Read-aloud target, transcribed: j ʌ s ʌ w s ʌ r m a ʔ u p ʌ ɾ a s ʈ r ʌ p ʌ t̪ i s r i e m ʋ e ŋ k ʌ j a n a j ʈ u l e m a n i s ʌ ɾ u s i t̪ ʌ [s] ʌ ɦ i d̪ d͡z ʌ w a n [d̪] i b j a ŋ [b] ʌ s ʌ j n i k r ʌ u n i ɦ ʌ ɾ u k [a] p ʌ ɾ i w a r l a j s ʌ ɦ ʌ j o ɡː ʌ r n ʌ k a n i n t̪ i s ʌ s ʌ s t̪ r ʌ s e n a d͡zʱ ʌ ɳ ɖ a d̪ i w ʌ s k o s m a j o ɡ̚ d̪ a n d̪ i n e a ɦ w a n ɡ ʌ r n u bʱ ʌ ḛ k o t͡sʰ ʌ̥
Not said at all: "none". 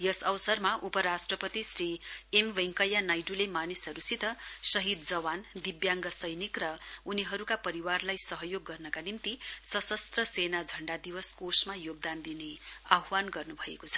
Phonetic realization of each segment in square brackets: s, d̪, ɡ, a

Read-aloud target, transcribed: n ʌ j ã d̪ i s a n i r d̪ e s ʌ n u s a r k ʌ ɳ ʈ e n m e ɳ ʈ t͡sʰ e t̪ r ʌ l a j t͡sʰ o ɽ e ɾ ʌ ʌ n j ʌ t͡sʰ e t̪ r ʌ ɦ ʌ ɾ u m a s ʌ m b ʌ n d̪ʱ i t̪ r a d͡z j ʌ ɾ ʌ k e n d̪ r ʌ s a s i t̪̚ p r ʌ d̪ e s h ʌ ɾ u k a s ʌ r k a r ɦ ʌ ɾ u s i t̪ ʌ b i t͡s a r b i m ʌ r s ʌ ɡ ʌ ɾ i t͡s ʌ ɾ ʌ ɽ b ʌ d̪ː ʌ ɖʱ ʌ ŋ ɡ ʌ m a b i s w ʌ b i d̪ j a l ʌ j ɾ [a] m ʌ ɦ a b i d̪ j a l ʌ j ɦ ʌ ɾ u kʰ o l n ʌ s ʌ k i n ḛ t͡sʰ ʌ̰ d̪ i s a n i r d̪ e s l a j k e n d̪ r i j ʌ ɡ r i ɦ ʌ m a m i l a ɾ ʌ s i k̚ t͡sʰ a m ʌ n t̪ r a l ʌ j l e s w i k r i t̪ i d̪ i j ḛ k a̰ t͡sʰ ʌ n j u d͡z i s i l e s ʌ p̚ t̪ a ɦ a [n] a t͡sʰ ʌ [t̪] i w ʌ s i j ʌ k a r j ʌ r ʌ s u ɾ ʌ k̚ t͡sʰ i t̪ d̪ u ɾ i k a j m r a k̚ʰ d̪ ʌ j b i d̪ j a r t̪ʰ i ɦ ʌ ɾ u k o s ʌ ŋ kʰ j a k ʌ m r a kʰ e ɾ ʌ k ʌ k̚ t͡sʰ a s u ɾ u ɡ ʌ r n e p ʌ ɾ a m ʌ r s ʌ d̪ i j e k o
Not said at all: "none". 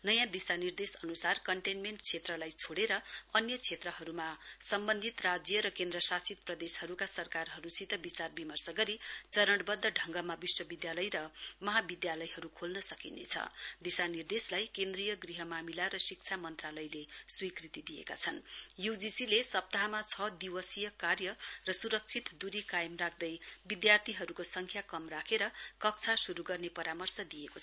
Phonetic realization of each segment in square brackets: ʌ, m, d̪

